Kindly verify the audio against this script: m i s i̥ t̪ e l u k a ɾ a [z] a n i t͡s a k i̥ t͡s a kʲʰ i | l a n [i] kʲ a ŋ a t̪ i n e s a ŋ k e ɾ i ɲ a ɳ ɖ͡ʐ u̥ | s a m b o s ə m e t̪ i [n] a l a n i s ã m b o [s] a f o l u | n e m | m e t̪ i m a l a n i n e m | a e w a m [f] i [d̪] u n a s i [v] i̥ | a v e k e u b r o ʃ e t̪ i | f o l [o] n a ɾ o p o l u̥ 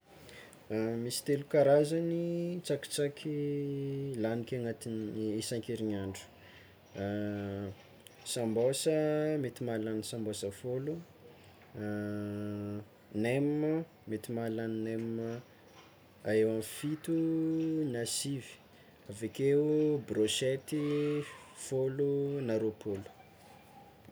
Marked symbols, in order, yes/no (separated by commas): yes, yes, no, yes, yes, no, yes, no